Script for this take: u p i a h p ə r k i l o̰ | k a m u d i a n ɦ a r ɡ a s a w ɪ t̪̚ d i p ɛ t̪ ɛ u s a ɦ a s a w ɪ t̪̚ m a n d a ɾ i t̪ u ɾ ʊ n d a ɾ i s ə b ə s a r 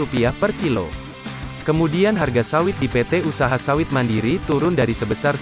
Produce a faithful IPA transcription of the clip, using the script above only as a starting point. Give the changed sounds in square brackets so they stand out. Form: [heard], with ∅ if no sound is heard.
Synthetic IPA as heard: u p i a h p ə r k i l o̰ | k [ə] m u d i a n ɦ a r ɡ a s a w ɪ t̪̚ d i p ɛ t̪ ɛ u s a ɦ a s a w ɪ t̪̚ m a n d [i] ɾ i t̪ u ɾ ʊ n d a ɾ i s ə b ə s a r